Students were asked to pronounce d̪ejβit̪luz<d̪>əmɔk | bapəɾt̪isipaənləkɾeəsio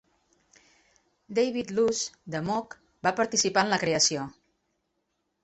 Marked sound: correct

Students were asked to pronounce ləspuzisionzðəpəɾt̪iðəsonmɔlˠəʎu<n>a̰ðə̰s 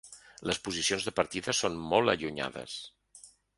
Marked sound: incorrect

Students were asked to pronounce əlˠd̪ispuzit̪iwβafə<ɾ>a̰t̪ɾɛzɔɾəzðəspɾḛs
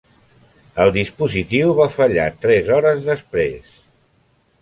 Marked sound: incorrect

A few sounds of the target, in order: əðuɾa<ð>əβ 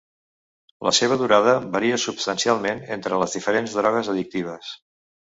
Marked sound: correct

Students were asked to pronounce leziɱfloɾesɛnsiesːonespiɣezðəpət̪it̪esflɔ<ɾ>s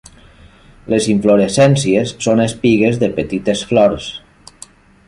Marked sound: correct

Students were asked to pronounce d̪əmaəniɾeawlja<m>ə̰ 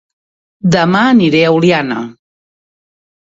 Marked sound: incorrect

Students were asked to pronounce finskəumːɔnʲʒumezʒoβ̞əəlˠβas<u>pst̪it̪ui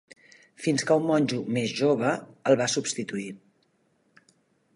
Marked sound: correct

